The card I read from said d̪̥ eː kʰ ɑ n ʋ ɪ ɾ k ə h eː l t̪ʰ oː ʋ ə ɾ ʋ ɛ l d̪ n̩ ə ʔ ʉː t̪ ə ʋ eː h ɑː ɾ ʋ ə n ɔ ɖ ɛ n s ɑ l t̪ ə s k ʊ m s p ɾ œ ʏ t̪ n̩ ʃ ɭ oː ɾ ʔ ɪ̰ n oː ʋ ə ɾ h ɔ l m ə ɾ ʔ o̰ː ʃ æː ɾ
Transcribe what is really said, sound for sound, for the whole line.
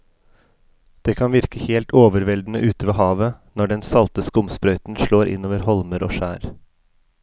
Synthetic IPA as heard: d̪̥ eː kʰ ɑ n ʋ ɪ ɾ k ə h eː l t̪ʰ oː ʋ ə ɾ ʋ ɛ l d̪ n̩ ə ʔ ʉː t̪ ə ʋ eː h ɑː ʋ ə n ɔ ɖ ɛ n s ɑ l t̪ ə s k ʊ m s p ɾ œ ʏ t̪ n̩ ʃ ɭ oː ɾ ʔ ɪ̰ n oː ʋ ə ɾ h ɔ l m ə ɾ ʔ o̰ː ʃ æː ɾ